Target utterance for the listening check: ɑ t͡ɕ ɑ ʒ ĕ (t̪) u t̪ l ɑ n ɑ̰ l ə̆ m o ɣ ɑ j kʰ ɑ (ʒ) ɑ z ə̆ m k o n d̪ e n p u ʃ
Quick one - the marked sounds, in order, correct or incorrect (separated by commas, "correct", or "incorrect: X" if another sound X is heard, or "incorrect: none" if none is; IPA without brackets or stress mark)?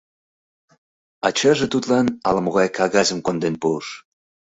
correct, incorrect: ɣ